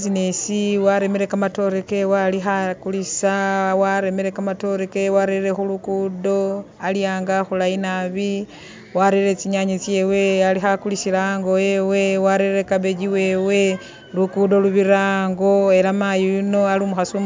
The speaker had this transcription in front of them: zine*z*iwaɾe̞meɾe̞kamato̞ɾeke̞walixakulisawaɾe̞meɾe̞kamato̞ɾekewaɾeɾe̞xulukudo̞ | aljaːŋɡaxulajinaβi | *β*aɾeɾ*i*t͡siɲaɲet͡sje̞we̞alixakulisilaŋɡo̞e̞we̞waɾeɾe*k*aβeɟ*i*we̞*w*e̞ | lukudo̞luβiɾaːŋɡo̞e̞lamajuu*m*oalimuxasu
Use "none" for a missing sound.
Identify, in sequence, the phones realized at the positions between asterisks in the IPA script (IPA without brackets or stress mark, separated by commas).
s, w, e, k, i, w, n